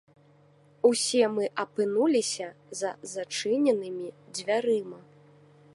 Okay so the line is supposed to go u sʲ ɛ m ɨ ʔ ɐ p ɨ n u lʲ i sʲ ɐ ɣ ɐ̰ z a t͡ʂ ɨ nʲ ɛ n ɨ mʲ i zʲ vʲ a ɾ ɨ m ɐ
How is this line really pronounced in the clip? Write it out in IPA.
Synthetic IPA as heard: u sʲ ɛ m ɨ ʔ ɐ p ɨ n u lʲ i sʲ ɐ z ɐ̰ z a t͡ʂ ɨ nʲ ɛ n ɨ mʲ i d͡zʲ vʲ a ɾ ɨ m ɐ